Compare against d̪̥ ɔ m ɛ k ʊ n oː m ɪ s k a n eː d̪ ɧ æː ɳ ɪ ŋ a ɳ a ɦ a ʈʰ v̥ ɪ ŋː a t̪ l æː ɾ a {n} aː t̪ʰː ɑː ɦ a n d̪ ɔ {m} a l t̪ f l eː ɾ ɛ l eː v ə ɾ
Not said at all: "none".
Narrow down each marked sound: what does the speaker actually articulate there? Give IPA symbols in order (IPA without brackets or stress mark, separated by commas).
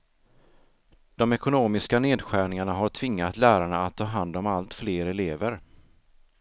ɳ, m